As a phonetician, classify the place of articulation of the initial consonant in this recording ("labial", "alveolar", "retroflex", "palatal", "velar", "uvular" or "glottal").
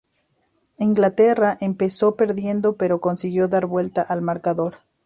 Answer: velar